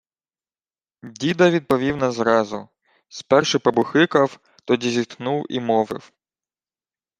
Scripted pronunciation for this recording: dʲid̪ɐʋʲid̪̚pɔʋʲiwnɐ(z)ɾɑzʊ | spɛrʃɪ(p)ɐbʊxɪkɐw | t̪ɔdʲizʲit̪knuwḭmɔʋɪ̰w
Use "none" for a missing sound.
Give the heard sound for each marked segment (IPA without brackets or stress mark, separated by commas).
z, p